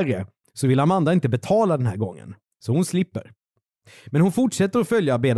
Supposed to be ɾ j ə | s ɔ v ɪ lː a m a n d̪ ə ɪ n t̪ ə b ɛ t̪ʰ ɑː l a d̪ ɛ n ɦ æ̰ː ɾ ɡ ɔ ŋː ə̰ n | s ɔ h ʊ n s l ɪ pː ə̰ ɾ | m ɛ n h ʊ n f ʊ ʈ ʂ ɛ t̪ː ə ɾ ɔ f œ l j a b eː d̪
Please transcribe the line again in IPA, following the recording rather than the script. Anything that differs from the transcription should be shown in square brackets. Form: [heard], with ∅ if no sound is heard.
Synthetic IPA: ɾ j ə | s ɔ v ɪ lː a m a n d̪ [a] ɪ n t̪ ə b ɛ t̪ʰ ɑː l a d̪ ɛ n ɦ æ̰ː ɾ ɡ ɔ ŋː ə̰ n | s ɔ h ʊ n s l ɪ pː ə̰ ɾ | m ɛ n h ʊ n f ʊ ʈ ʂ ɛ t̪ː ə ɾ ɔ f œ l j a b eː d̪